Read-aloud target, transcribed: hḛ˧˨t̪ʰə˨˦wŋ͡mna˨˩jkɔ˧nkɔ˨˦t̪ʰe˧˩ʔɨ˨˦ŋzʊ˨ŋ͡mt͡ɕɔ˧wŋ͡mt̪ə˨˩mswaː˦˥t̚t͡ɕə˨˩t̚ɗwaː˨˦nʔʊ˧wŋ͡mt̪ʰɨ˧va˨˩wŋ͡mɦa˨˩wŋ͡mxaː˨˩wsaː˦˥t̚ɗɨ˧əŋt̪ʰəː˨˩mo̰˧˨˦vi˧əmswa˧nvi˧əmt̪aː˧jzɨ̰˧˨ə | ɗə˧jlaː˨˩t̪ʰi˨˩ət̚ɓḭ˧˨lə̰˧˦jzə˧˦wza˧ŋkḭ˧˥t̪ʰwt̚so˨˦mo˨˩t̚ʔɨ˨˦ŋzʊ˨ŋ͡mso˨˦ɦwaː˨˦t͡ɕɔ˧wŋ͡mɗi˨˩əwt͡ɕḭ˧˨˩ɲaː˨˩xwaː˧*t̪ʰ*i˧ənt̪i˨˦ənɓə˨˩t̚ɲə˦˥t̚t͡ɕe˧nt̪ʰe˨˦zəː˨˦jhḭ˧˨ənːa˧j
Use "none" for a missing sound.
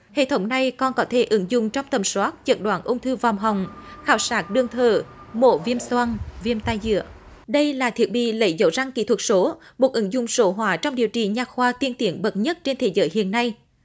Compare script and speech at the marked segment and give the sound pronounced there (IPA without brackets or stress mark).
t̪